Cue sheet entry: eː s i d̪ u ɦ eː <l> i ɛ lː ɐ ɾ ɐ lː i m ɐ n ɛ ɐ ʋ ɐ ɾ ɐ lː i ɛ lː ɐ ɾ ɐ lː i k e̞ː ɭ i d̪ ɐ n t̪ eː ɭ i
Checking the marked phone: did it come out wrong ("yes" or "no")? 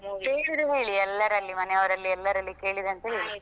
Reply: yes